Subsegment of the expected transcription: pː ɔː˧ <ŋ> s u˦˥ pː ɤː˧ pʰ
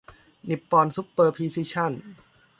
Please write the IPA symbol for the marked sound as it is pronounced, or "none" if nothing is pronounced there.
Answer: n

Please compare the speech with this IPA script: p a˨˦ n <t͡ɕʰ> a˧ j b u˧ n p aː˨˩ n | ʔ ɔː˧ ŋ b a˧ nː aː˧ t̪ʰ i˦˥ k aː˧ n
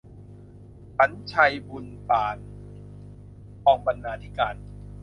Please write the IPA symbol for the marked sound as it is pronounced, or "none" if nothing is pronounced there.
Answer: t͡ɕʰ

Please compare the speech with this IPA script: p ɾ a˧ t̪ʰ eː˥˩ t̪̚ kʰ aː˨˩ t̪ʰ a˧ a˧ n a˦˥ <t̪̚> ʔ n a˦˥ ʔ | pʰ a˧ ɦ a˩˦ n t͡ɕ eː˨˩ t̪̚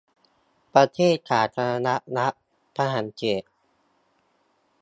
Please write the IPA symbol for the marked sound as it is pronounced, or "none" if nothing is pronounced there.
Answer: none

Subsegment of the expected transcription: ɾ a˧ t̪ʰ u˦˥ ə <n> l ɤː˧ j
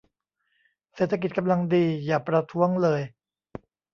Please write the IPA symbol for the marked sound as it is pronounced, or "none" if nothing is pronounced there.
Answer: ŋ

